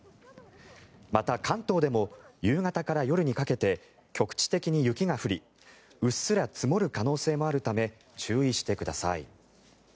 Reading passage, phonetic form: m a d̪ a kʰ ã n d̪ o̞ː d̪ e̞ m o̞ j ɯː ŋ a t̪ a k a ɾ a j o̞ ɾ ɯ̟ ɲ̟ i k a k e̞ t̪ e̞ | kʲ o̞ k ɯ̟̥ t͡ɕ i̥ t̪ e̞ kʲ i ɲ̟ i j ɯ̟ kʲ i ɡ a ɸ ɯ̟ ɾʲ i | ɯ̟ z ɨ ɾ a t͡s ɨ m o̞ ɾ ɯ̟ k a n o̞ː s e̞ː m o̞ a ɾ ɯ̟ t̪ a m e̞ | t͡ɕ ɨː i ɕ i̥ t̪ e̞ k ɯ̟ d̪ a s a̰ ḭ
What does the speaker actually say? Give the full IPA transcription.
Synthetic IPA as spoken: m a t̪ a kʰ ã n t̪ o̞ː d̪ e̞ m o̞ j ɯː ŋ a t̪ a k a ɾ a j o̞ ɾ ɯ̟ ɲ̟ i k a k e̞ t̪ e̞ | kʲ o̞ k ɯ̟̥ t͡ɕ i̥ t̪ e̞ kʲ i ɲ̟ i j ɯ̟ kʲ i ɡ a ɸ ɯ̟ ɾʲ i | ɯ̟ s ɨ ɾ a t͡s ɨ m o̞ ɾ ɯ̟ k a n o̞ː s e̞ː m o̞ a ɾ ɯ̟ t̪ a m e̞ | t͡ɕ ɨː i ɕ i̥ t̪ e̞ k ɯ̟ d̪ a s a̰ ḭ